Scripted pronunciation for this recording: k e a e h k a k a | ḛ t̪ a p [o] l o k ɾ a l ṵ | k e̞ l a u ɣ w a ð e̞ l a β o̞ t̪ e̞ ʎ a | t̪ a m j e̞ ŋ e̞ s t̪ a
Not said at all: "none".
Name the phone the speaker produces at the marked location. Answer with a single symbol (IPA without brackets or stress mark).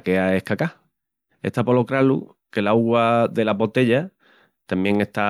o